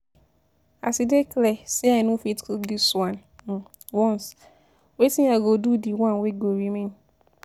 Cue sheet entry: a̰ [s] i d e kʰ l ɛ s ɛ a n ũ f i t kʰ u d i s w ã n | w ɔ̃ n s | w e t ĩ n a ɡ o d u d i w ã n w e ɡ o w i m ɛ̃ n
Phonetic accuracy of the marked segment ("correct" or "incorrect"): correct